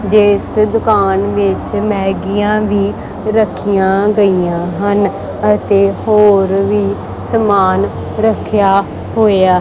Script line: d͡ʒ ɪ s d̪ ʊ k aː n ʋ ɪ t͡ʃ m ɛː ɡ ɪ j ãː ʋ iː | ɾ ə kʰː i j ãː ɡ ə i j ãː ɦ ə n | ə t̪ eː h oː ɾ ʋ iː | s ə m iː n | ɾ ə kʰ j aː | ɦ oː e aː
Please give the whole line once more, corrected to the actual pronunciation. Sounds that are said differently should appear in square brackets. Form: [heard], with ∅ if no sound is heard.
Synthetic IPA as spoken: d͡ʒ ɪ s d̪ ʊ k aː n ʋ ɪ t͡ʃ m ɛː ɡ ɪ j ãː ʋ iː | ɾ ə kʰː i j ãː ɡ ə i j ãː ɦ ə n | ə t̪ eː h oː ɾ ʋ iː | s ə m [aː] n | ɾ ə kʰ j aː | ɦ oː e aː